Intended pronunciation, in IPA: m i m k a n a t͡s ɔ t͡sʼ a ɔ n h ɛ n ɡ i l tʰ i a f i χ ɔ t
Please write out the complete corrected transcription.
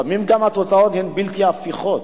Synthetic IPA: m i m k a m a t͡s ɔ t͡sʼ a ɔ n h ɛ n b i l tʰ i a f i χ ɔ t